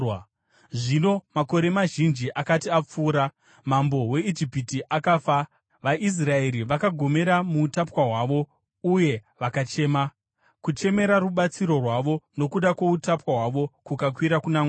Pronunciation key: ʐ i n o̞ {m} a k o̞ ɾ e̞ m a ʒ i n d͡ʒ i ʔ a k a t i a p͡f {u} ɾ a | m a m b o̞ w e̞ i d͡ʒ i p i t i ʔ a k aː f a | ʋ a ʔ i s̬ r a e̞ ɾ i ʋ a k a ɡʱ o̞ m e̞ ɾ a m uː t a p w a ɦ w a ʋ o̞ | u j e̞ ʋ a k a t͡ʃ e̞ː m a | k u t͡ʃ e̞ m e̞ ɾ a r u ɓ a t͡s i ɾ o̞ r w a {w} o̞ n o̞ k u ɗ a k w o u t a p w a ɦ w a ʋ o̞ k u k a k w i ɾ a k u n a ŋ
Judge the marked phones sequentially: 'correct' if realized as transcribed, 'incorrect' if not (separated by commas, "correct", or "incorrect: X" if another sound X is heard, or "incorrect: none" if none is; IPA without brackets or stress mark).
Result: correct, incorrect: uː, incorrect: ʋ